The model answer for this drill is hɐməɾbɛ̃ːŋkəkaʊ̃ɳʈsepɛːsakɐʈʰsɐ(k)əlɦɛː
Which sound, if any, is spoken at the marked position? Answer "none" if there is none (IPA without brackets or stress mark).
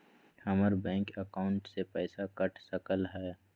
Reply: k